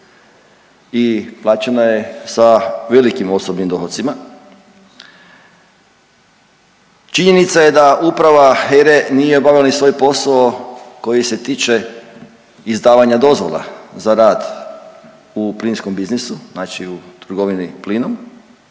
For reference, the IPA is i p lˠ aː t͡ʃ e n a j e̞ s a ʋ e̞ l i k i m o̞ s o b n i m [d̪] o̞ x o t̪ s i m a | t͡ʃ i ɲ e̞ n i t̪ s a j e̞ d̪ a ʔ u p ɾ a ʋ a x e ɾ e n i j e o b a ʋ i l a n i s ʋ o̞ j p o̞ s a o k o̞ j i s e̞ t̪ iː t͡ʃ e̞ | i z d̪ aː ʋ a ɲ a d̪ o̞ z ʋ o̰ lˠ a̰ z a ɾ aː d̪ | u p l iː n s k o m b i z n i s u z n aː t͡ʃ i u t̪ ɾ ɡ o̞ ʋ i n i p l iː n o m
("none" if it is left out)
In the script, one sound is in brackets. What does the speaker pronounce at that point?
d̪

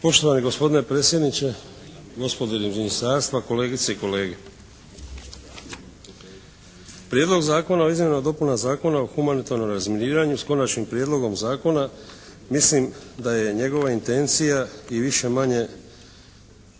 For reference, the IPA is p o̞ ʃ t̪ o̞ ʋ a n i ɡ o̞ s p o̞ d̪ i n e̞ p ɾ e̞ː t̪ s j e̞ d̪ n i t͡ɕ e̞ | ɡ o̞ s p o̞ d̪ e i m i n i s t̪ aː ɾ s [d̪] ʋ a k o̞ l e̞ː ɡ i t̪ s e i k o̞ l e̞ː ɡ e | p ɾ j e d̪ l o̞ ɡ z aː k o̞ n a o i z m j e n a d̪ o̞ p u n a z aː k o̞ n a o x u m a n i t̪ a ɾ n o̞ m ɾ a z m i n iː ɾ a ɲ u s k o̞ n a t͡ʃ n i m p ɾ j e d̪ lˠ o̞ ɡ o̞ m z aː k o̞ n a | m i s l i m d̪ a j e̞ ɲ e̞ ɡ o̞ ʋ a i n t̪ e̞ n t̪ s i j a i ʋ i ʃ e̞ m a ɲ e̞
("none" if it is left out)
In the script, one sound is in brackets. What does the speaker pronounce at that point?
t̪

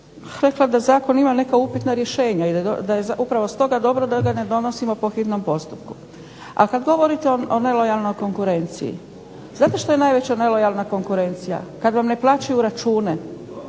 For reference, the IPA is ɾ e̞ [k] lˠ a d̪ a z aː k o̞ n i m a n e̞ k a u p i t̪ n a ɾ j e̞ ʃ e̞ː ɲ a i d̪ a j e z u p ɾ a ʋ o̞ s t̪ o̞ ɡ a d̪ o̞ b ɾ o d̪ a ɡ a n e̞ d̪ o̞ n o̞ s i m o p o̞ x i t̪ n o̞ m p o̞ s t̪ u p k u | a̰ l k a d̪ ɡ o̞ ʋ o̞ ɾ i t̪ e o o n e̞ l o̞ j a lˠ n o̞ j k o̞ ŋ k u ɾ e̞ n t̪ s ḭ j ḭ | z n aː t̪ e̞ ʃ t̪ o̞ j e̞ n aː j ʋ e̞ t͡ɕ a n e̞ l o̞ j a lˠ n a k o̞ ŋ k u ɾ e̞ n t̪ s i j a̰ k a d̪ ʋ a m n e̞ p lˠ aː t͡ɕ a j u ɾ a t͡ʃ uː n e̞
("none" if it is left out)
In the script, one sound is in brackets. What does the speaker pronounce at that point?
k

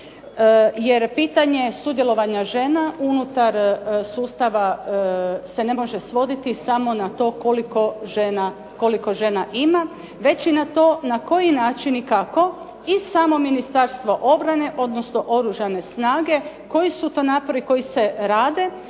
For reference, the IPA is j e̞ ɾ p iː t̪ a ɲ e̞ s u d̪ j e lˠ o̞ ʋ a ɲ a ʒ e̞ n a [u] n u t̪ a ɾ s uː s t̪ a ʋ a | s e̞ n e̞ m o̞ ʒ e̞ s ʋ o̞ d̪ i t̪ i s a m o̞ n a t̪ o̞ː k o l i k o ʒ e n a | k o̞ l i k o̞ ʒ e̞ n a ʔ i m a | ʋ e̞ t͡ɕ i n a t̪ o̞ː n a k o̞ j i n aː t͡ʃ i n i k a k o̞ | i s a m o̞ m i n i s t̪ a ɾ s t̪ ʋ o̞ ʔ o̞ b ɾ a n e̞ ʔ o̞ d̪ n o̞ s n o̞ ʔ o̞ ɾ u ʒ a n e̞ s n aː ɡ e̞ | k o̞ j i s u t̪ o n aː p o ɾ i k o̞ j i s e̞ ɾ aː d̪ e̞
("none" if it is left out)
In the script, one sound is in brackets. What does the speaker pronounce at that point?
u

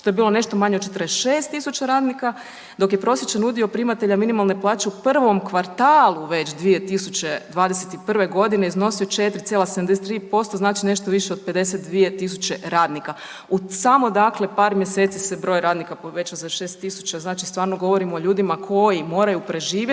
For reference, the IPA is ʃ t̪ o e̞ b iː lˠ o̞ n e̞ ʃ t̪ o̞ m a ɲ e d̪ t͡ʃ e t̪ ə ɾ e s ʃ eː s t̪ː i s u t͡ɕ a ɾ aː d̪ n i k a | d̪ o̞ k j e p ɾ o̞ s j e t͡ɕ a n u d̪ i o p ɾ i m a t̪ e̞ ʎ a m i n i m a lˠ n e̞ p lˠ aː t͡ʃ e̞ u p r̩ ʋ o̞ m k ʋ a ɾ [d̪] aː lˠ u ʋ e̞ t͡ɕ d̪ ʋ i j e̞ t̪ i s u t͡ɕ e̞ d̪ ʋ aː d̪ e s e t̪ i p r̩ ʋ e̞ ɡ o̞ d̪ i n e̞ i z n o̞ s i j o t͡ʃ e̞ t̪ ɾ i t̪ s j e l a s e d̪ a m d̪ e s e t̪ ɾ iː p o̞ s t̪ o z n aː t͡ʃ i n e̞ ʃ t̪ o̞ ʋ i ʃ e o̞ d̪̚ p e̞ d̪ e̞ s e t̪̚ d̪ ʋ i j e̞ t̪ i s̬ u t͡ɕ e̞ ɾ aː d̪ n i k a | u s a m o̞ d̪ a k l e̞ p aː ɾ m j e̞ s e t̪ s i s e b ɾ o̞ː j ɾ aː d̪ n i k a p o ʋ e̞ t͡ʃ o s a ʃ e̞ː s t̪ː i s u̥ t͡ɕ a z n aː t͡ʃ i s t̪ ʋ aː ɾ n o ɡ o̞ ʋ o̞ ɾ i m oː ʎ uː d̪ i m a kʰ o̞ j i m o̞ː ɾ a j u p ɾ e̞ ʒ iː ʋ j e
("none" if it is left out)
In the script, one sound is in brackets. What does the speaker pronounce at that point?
t̪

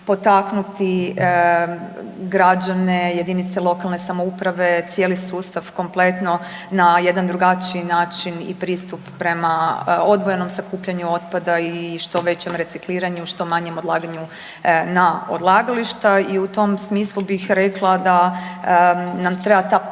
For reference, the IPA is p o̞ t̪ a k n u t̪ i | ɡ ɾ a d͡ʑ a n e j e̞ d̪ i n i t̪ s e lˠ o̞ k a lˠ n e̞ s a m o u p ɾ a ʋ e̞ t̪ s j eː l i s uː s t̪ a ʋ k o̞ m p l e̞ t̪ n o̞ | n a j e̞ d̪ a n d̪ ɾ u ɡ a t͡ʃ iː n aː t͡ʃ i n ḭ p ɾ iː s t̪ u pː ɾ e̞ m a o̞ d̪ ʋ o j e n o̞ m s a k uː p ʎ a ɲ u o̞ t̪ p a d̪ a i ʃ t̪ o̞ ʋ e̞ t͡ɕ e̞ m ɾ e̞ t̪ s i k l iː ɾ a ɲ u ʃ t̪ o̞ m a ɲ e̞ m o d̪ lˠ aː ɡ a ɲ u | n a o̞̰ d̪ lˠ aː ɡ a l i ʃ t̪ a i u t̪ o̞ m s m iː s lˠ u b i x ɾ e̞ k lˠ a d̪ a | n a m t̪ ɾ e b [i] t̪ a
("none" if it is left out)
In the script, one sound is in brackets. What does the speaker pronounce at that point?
a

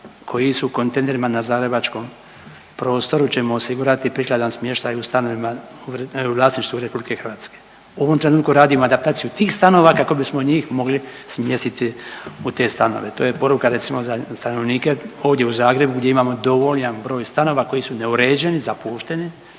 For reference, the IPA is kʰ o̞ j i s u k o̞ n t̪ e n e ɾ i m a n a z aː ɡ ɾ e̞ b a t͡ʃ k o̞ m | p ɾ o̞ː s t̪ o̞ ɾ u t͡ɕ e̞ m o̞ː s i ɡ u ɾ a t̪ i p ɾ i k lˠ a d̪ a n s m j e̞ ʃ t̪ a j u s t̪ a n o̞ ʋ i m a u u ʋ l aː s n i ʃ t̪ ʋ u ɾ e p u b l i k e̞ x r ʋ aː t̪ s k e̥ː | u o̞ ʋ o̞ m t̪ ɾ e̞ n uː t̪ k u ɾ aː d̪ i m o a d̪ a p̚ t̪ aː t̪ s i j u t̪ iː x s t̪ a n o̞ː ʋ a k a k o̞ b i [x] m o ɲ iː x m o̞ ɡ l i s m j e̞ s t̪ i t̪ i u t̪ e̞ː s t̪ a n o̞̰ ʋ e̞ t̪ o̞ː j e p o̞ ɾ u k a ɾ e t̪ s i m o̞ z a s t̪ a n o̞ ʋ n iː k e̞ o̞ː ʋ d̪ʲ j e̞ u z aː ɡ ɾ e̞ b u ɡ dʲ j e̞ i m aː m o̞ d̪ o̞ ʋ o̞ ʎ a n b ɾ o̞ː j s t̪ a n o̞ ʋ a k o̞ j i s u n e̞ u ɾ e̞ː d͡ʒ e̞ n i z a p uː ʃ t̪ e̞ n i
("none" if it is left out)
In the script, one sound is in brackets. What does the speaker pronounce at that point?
s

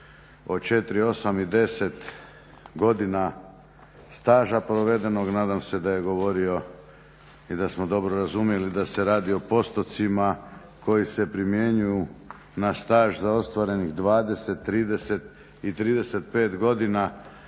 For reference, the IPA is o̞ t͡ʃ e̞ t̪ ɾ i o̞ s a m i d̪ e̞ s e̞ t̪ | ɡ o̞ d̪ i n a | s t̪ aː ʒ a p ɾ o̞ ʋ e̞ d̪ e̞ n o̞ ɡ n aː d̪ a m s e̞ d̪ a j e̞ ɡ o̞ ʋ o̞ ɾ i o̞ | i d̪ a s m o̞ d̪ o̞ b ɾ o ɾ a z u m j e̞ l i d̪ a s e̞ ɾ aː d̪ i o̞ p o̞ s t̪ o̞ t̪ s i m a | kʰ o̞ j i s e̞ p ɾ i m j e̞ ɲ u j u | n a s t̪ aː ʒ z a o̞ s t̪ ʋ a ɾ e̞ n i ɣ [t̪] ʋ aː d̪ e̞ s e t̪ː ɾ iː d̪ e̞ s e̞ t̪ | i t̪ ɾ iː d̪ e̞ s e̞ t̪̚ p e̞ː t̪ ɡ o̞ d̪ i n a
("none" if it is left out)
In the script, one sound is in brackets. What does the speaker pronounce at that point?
d̪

